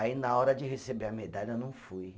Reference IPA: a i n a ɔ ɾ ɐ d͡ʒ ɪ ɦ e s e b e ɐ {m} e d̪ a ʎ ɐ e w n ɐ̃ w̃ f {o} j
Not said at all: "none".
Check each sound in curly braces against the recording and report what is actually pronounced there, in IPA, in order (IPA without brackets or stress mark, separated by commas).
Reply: m, u